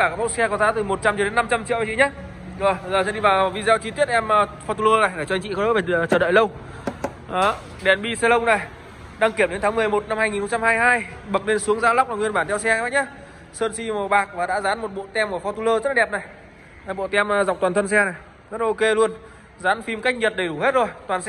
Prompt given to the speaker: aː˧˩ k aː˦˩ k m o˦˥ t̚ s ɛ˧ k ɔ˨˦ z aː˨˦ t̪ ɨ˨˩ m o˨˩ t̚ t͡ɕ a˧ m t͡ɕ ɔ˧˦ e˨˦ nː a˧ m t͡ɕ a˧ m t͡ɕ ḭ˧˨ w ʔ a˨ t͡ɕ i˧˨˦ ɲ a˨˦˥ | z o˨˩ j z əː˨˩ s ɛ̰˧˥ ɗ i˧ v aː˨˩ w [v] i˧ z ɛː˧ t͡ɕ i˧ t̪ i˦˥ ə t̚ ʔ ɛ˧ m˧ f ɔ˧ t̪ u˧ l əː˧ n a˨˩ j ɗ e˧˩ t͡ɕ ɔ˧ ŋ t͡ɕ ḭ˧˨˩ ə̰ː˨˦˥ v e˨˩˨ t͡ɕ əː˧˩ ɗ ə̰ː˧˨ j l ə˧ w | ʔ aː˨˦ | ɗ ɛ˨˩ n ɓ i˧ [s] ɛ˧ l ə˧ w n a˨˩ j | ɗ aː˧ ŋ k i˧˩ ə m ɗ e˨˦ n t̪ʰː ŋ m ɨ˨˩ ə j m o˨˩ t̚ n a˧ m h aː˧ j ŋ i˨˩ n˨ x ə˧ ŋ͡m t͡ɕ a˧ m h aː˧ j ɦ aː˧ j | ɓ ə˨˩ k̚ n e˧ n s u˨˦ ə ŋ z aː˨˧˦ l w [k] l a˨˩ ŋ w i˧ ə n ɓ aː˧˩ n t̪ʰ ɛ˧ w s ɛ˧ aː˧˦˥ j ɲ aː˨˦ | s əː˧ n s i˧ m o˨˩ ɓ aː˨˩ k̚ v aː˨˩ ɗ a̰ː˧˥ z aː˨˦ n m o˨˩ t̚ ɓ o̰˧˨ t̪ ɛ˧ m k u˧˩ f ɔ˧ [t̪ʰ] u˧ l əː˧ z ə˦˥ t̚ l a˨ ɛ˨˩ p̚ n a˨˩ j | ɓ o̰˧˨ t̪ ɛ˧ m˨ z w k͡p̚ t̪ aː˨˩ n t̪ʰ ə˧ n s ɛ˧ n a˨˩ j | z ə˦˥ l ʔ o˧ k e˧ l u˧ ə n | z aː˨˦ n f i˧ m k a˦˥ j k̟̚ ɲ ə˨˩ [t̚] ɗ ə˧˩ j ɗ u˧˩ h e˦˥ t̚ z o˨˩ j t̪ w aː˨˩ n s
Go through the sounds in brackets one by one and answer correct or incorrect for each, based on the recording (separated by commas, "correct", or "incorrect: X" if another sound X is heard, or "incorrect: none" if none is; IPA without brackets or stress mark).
correct, correct, incorrect: k͡p̚, incorrect: t̪, correct